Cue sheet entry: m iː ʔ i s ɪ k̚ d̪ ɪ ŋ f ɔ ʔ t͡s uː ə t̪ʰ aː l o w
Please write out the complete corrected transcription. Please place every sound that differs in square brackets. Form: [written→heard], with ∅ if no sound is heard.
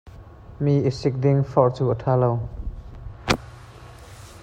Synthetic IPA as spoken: m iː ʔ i s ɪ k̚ d̪ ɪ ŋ f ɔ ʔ t͡s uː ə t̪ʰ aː l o w